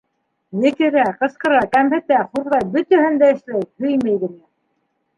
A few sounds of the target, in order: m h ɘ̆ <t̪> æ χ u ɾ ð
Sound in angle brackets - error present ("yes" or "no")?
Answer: no